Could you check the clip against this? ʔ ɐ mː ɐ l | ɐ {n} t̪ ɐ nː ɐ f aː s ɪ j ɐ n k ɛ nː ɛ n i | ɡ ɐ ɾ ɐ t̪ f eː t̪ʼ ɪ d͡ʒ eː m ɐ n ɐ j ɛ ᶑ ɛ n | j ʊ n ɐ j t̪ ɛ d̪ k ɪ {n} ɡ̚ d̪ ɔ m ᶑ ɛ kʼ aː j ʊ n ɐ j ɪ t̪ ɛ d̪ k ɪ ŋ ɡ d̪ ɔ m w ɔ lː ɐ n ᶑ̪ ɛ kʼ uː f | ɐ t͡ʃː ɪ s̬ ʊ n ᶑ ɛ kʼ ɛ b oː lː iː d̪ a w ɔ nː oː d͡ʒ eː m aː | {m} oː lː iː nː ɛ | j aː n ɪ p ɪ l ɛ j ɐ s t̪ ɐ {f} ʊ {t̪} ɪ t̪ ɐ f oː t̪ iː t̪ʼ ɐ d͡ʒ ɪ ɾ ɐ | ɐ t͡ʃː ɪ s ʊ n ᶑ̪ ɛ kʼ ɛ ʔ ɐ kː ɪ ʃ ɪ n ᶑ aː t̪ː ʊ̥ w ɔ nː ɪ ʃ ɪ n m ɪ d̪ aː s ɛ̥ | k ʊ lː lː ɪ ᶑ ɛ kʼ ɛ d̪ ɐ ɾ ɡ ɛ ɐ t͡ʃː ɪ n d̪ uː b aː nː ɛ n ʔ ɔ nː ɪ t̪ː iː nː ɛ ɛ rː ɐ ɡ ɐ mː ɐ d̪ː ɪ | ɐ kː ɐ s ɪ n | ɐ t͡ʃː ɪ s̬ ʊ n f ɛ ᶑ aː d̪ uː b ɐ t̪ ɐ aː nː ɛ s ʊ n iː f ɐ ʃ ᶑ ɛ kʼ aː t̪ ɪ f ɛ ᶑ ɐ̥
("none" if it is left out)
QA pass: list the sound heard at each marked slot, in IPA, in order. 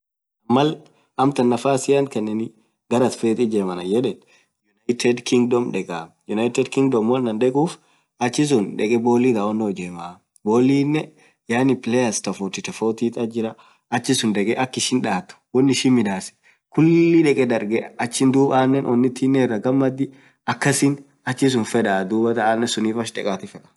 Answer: m, ŋ, b, f, t̪

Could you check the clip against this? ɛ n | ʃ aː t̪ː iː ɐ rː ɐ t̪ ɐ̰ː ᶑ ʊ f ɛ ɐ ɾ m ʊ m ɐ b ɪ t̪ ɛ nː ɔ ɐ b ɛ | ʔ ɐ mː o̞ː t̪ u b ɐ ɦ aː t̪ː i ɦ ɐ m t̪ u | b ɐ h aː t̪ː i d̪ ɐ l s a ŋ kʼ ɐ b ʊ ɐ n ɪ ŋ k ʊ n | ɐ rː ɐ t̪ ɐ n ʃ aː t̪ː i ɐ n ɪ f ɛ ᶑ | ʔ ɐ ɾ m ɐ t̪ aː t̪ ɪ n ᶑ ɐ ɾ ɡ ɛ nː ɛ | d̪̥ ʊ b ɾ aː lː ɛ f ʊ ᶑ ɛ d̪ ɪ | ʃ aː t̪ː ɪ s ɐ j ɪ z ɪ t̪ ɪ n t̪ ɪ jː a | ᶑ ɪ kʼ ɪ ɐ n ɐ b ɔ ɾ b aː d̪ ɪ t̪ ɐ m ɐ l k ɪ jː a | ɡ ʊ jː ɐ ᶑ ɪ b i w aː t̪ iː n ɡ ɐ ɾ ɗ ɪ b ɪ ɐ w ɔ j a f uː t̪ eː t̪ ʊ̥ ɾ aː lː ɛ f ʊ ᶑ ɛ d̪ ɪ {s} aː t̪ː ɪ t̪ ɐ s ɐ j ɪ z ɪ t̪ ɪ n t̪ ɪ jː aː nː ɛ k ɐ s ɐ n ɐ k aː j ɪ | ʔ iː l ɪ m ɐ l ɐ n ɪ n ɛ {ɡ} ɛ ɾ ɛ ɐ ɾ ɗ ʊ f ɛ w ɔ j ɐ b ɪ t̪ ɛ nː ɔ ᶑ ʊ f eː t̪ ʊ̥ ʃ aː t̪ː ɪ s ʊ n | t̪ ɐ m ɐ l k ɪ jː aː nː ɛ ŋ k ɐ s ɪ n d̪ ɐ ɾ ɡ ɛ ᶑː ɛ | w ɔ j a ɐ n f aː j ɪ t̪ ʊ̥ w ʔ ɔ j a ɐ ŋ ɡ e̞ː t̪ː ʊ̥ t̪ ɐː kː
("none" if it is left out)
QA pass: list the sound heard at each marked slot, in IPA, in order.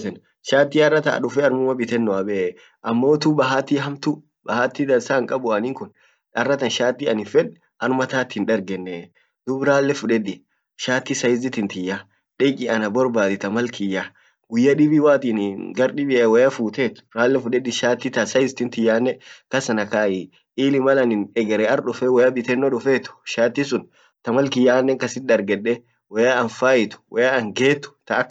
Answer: ʃ, ɡ

